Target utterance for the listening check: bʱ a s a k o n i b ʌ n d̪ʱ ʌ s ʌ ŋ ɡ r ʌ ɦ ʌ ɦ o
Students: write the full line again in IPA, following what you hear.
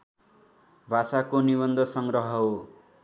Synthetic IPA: bʱ a s a k o n i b ʌ n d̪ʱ ʌ s ʌ ŋ ɡ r ʌ ɦ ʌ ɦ o